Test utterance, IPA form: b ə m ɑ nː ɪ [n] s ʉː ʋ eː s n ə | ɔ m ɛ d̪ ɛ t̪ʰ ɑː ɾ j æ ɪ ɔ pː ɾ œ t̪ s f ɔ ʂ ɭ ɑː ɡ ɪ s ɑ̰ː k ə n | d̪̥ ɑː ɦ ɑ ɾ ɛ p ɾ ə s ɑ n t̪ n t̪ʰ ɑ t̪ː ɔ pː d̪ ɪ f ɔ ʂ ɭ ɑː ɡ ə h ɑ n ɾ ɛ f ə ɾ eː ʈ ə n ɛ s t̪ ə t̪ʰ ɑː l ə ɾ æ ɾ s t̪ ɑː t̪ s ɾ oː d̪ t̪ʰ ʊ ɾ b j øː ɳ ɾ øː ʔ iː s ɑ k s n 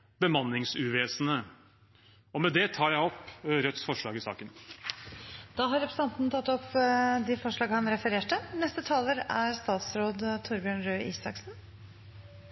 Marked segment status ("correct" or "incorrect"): incorrect